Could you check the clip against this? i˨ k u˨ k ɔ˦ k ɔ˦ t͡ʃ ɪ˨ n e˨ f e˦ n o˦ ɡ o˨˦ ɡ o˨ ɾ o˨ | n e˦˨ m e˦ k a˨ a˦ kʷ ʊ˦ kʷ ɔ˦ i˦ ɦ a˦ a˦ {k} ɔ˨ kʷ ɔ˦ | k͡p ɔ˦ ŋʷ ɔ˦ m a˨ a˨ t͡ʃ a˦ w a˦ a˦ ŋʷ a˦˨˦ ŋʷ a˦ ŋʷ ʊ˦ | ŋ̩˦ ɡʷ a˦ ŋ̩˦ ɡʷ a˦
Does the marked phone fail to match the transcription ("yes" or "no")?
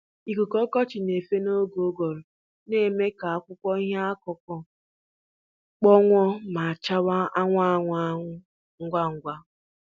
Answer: no